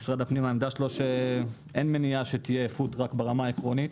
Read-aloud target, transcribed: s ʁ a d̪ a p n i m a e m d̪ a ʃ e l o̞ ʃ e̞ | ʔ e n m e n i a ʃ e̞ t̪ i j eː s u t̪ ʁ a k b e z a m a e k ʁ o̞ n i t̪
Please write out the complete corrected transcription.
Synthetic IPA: s ʁ a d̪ a p n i m a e m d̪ a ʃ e l o̞ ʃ e̞ | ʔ e n m e n i a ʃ e̞ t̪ i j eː f u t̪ ʁ a k b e ʁ a m a e k ʁ o̞ n i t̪